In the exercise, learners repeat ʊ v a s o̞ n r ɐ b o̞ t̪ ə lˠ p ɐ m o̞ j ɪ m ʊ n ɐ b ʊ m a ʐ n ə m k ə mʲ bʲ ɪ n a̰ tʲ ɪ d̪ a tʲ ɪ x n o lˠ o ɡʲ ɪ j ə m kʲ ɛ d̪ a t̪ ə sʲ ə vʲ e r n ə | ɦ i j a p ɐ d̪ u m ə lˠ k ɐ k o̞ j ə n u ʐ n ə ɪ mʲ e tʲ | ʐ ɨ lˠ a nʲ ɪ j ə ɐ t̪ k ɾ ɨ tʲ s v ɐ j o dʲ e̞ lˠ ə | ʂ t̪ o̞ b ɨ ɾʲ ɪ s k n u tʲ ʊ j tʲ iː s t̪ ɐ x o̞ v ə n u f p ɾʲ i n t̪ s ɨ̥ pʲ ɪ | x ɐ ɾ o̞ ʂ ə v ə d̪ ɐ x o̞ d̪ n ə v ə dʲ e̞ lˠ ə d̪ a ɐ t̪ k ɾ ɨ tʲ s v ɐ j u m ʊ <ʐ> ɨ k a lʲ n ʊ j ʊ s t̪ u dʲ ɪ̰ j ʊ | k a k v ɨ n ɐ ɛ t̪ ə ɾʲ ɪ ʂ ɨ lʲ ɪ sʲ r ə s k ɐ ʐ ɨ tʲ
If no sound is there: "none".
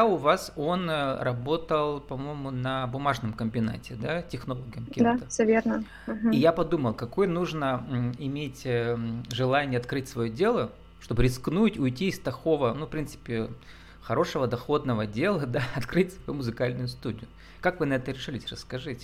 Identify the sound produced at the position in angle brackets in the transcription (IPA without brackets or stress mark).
z